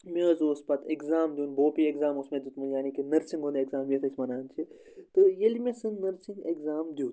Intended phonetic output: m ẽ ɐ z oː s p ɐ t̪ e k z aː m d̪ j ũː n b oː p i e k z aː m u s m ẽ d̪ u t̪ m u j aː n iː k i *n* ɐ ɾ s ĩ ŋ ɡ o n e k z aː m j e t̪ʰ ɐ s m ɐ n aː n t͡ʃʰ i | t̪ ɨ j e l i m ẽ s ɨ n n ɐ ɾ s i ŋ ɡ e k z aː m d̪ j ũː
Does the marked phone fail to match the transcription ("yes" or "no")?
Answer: no